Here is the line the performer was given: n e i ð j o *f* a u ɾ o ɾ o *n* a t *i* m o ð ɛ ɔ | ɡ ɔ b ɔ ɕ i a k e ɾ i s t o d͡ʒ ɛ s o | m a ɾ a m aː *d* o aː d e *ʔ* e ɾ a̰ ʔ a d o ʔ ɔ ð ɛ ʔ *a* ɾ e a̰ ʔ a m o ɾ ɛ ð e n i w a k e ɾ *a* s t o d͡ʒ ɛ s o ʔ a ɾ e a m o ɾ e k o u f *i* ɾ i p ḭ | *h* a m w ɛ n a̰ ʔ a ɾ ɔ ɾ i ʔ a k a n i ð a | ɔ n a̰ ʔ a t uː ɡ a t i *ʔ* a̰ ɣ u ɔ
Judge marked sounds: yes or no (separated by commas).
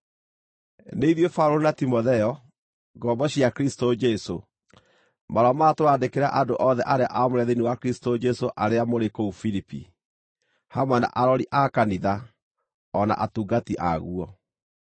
yes, yes, yes, no, no, yes, no, yes, yes, yes